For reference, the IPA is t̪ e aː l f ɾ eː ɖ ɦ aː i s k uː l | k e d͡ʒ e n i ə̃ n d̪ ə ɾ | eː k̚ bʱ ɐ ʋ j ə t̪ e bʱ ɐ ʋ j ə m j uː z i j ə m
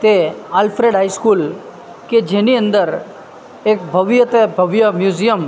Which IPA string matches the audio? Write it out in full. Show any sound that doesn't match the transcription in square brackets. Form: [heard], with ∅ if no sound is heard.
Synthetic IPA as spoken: t̪ e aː l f ɾ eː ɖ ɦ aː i s k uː l | k e d͡ʒ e n i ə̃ n d̪ ə ɾ | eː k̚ bʱ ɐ ʋ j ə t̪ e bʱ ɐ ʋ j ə m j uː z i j ə m